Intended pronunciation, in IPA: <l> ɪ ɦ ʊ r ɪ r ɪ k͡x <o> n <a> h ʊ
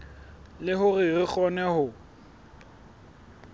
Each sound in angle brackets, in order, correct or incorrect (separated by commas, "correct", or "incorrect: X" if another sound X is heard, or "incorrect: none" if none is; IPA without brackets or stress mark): correct, incorrect: ɔ, incorrect: ɛ